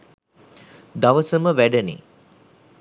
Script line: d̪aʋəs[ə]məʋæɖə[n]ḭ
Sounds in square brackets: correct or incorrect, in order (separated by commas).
correct, correct